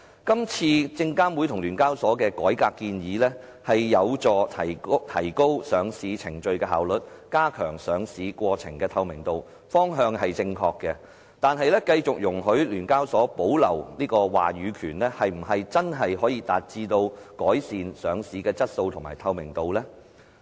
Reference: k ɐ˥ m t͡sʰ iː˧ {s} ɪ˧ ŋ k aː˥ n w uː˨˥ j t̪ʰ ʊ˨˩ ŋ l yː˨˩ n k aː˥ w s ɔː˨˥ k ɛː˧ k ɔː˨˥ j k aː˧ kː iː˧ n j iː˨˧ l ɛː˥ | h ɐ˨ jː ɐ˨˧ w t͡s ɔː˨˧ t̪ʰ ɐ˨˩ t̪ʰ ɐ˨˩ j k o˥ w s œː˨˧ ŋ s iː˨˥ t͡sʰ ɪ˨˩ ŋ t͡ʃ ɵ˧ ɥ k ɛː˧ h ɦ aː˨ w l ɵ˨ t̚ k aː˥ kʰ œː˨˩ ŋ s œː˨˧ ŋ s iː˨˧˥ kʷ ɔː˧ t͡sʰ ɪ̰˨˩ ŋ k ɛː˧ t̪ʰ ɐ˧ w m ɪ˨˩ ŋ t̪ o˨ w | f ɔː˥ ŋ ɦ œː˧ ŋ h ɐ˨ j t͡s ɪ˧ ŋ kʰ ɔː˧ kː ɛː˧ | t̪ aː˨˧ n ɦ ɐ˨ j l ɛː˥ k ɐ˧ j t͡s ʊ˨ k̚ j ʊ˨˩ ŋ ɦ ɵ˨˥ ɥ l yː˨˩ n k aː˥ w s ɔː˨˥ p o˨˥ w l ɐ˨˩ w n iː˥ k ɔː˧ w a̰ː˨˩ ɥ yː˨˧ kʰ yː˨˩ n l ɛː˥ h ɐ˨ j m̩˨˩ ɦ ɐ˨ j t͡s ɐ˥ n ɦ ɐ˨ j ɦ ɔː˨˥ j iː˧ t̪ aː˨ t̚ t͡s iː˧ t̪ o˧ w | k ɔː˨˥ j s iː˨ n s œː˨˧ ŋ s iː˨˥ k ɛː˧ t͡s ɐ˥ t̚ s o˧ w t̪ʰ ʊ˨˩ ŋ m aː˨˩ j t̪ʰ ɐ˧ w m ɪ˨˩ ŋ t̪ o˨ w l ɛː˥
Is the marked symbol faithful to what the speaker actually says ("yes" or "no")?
no